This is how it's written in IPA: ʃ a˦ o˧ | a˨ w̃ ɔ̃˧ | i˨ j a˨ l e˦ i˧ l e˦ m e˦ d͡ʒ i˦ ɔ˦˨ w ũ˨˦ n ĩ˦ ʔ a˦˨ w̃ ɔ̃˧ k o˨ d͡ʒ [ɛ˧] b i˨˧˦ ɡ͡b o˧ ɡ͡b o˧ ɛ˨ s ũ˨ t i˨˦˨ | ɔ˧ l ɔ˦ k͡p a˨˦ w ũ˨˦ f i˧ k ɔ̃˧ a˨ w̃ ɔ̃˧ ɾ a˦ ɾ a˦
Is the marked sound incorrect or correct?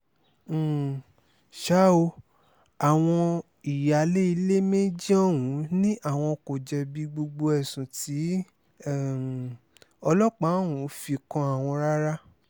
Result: correct